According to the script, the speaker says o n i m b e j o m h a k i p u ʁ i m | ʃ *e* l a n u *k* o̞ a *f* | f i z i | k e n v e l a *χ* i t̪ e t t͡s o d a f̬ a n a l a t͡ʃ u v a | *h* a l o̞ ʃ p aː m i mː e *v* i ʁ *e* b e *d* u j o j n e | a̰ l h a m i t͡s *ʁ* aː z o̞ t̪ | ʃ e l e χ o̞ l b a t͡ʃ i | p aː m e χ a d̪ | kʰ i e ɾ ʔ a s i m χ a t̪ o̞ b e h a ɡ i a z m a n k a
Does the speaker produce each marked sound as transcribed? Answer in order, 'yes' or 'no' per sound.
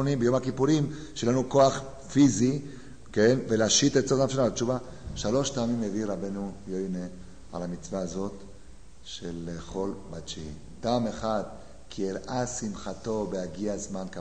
yes, yes, no, no, no, yes, no, no, no

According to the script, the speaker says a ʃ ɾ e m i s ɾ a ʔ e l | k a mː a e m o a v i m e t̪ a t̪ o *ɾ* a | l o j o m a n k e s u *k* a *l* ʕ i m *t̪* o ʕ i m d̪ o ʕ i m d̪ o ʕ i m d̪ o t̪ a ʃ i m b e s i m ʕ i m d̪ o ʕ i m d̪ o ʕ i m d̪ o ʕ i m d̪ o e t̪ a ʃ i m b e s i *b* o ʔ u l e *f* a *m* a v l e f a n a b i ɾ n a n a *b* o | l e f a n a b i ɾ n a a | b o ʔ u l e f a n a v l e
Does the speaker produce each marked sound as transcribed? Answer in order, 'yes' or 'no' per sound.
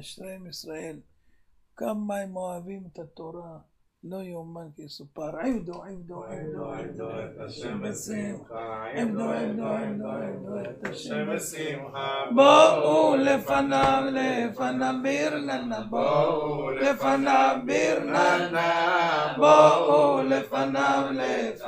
yes, no, no, no, yes, yes, no, yes

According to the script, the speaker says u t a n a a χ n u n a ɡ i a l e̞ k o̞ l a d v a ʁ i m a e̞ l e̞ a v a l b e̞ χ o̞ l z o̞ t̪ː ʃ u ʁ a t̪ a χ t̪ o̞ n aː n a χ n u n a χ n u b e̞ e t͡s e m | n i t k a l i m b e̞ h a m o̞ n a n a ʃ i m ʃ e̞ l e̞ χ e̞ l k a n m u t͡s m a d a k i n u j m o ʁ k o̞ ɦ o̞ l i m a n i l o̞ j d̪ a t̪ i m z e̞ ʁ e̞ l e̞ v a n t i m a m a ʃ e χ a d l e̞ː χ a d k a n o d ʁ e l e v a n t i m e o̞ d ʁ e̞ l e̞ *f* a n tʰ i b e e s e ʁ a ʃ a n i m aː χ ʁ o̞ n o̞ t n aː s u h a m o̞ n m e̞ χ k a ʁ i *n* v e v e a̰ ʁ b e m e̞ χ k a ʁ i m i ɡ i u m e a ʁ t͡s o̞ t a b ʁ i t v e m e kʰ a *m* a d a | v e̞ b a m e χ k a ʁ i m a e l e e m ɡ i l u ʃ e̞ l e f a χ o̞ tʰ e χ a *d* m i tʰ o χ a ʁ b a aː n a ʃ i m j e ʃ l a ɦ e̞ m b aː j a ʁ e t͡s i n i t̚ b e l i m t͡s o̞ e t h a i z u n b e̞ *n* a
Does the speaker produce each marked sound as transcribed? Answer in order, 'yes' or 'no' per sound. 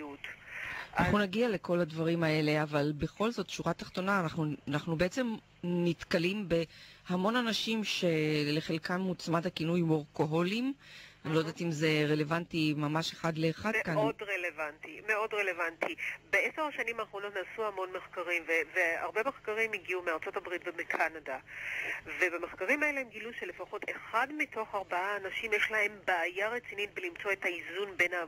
no, no, no, yes, yes

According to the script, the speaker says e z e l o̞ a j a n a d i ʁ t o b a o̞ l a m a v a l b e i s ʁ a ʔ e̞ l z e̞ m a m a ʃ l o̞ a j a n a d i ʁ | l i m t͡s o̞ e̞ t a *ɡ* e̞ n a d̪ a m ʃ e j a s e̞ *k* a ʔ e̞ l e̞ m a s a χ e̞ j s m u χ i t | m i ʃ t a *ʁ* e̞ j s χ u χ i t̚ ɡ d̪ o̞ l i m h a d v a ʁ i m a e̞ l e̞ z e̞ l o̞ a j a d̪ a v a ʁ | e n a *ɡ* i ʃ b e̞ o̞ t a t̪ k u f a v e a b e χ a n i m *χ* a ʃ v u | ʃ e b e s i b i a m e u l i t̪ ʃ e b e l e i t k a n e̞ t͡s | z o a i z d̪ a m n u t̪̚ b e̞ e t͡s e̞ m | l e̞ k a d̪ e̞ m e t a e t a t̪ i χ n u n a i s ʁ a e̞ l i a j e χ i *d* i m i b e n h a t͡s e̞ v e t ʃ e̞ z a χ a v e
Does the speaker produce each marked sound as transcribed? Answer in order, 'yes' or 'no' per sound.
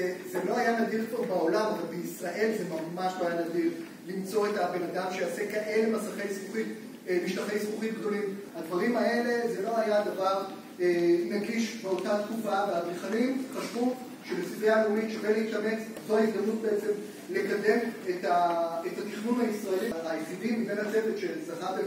no, yes, no, yes, yes, yes

